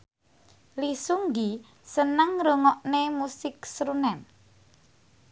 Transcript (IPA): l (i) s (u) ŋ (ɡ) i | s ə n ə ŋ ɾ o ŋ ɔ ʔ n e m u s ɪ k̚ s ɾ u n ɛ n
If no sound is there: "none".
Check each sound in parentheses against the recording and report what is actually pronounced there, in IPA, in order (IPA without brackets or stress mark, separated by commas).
i, u, ɡ